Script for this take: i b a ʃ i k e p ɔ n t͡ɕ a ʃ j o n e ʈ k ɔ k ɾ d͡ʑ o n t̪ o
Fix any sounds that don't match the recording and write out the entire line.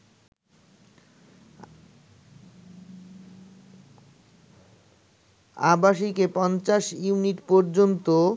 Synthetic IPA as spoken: a b a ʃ i k e p ɔ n t͡ɕ a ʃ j u n i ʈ p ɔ ɾ d͡ʑ o n t̪ o